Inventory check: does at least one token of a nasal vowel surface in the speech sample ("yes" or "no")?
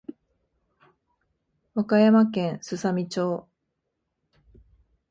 yes